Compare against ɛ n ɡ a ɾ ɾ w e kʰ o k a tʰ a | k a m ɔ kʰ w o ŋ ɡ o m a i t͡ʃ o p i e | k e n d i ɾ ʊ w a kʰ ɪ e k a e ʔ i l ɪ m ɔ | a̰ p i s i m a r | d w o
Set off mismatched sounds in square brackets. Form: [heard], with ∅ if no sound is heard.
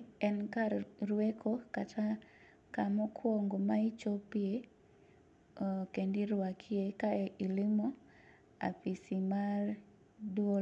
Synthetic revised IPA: ɛ n [k] a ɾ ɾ w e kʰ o k a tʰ a | k a m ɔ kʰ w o ŋ ɡ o m a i t͡ʃ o p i e | k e n d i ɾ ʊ w a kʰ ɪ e k a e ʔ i l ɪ m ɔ | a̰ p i s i m a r | d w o